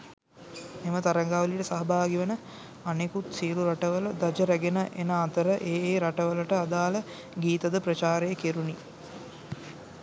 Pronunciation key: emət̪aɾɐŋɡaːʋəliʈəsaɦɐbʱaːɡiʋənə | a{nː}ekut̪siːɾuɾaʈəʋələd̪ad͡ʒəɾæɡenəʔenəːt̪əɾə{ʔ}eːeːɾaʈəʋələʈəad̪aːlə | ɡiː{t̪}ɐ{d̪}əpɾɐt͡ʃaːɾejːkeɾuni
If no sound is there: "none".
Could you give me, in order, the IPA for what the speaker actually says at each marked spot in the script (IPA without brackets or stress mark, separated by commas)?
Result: n, ʔ, t̪, d̪